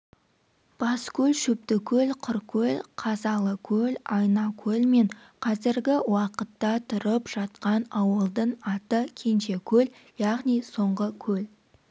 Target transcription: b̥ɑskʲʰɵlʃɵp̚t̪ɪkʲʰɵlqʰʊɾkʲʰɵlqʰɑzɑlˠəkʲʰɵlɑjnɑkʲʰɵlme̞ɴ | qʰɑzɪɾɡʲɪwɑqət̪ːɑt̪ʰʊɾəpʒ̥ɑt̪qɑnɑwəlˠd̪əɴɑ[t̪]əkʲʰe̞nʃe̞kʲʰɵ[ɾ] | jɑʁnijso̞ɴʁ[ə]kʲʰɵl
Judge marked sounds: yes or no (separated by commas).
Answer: yes, no, yes